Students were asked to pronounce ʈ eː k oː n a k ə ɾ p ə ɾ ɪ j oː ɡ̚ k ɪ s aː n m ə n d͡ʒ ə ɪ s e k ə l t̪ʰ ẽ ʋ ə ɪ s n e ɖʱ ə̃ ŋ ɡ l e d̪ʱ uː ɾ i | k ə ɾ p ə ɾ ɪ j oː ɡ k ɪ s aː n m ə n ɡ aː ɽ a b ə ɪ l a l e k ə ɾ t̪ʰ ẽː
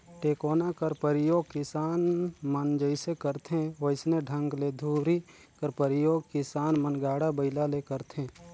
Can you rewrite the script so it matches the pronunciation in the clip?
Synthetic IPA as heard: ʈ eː k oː n a k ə ɾ p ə ɾ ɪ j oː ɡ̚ k ɪ s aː n m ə n d͡ʒ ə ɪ s e k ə ɾ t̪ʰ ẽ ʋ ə ɪ s n e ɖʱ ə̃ ŋ ɡ l e d̪ʱ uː ɾ i | k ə ɾ p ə ɾ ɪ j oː ɡ k ɪ s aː n m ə n ɡ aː ɽ a b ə ɪ l a l e k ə ɾ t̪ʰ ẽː